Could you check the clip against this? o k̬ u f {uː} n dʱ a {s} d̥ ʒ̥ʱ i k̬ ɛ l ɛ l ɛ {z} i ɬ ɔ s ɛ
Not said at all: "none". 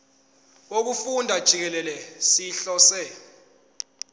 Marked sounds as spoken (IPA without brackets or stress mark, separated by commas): u, none, s